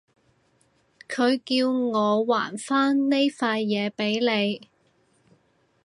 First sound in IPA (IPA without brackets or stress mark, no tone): kʰ